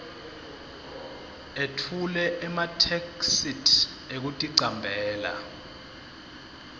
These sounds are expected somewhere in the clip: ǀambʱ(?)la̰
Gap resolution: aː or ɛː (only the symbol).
ɛː